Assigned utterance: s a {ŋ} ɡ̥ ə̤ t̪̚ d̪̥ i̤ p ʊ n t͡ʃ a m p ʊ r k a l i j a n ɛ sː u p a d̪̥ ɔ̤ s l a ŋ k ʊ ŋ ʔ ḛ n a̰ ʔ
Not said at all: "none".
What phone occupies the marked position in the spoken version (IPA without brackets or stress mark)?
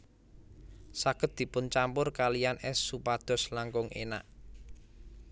none